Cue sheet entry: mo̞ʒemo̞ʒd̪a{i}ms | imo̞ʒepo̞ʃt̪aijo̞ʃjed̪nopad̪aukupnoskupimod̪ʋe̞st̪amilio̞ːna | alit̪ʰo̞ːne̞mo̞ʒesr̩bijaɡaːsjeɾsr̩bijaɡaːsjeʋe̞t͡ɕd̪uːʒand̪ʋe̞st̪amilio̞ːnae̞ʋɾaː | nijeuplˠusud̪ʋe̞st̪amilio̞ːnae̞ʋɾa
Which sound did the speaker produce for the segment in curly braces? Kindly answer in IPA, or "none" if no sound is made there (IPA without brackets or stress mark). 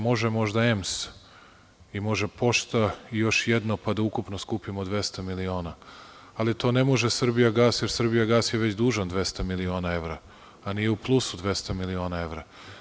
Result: e